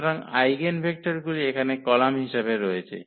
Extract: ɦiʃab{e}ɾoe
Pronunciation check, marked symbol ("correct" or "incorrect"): correct